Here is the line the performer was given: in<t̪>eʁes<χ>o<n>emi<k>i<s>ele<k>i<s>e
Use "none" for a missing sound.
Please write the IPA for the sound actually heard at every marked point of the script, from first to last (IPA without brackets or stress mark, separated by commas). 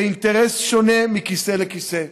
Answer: t̪, ʃ, n, k, s, k, s